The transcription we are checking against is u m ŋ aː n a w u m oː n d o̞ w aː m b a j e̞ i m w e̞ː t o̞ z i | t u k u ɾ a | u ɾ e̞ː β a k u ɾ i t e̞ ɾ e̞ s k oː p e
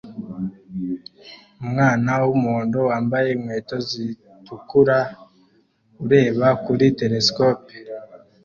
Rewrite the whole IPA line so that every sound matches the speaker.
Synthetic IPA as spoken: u m ŋ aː n a w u m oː n d o̞ w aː m b a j e̞ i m w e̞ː t o̞ z i | t u k u ɾ a | u ɾ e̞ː β a k u ɾ i t e̞ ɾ e̞ s k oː p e